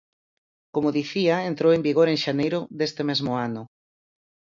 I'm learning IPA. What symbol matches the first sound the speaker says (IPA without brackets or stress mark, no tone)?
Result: k